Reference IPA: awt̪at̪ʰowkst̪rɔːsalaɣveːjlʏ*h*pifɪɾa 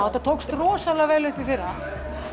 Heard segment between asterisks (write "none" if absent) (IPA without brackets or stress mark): h